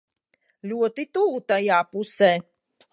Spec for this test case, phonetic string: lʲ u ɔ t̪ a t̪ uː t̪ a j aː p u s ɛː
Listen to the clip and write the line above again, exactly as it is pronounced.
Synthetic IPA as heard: lʲ u ɔ t̪ i t̪ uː t̪ a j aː p u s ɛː